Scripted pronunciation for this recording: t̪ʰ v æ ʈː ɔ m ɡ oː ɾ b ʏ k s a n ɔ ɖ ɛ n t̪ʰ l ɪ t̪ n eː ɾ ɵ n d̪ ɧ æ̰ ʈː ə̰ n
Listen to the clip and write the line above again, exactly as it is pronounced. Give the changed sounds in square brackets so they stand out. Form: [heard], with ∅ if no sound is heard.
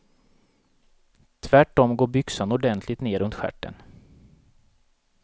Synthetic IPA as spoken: t̪ʰ v æ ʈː ɔ m ɡ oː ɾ b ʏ k s a n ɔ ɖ ɛ n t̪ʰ l ɪ t̪ n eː ɾ ɵ n [t̪] ɧ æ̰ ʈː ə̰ n